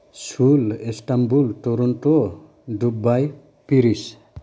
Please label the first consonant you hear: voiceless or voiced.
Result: voiceless